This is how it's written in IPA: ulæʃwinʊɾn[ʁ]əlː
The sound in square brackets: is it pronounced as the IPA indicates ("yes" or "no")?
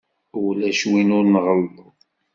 yes